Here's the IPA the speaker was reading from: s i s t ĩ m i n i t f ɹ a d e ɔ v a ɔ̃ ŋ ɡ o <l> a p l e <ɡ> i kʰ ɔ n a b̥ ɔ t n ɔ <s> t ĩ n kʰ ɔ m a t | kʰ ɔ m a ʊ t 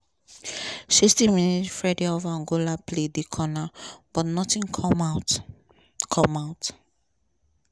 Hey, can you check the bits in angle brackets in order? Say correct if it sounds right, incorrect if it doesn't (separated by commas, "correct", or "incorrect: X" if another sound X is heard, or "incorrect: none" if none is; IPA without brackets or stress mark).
correct, incorrect: d, incorrect: none